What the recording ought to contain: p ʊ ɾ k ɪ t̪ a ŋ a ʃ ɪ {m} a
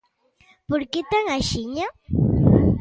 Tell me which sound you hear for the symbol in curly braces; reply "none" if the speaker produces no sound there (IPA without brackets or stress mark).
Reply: ɲ